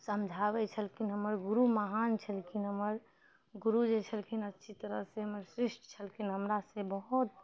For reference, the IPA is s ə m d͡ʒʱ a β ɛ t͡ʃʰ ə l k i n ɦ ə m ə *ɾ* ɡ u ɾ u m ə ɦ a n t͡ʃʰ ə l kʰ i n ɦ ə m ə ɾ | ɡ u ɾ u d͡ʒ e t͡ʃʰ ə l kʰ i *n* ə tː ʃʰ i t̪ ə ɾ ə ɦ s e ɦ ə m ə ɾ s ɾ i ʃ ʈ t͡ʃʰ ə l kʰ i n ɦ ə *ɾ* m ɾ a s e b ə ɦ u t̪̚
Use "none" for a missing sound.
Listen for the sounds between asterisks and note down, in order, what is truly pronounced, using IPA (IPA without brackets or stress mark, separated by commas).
ɾ, n, none